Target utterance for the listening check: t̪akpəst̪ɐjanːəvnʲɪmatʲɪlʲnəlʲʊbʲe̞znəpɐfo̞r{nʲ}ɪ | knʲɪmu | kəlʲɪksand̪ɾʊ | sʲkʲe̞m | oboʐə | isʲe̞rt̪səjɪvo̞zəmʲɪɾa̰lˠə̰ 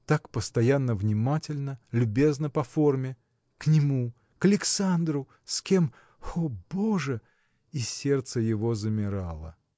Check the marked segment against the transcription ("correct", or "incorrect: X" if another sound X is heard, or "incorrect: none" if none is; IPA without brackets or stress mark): incorrect: mʲ